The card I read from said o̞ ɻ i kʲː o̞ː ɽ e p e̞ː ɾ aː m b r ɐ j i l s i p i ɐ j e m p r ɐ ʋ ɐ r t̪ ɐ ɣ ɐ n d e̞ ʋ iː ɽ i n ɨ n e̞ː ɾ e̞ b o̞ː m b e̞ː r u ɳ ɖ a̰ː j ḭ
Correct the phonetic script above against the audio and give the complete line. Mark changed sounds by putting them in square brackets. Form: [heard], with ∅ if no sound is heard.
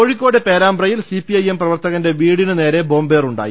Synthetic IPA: o̞ ɻ i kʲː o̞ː ɽ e p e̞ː ɾ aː m b r ɐ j i l s i p i ɐ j e m p r ɐ ʋ ɐ r t̪ ɐ ɣ ɐ n d e̞ ʋ iː ɽ i n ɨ n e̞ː ɾ e̞ b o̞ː m b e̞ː r u ɳ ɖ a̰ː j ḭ